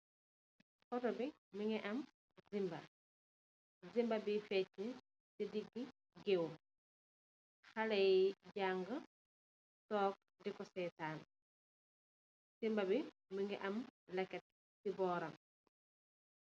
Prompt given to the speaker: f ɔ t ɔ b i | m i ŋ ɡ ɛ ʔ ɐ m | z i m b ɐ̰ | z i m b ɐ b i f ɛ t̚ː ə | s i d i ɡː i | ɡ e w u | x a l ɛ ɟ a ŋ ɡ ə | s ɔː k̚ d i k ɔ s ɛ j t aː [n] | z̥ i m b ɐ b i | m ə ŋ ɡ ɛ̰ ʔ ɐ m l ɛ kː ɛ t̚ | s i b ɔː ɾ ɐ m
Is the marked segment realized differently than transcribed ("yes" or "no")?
no